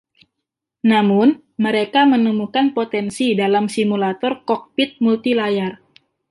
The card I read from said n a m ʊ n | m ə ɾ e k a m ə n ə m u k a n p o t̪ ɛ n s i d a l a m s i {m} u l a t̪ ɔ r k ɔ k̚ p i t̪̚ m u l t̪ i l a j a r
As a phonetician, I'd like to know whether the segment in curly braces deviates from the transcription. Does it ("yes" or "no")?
no